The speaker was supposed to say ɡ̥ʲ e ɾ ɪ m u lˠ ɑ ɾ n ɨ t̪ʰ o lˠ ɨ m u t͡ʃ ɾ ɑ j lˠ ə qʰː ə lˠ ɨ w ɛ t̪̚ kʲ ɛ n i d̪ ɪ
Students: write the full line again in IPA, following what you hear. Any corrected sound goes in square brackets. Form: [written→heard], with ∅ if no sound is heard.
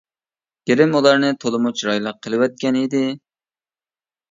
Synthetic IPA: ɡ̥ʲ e ɾ ɪ m u lˠ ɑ ɾ n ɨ t̪ʰ o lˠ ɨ m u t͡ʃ ɾ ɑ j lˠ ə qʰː ə lˠ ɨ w ɛ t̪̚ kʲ ɛ n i d̪ ɪ